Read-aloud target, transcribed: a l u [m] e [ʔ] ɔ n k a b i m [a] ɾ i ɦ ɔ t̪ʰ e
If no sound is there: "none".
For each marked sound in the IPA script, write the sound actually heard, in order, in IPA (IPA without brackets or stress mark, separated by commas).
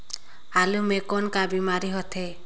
m, k, a